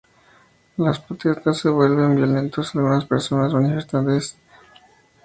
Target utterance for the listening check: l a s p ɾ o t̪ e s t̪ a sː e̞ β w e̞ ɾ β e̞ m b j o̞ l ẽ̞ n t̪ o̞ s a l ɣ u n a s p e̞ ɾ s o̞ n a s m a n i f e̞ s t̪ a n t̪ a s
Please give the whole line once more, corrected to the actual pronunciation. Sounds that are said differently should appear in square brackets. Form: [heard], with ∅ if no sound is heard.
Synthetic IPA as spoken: l a s p ɾ o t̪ e s t̪ a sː e̞ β w e̞ [l] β e̞ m b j o̞ l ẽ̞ n t̪ o̞ s a l ɣ u n a s p e̞ ɾ s o̞ n a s m a n i f e̞ s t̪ a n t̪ [e] s